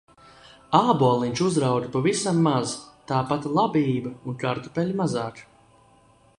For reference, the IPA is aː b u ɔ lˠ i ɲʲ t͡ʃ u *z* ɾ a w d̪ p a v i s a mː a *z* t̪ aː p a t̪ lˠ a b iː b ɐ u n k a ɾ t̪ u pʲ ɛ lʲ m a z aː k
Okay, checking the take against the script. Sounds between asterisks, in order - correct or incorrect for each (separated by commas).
correct, correct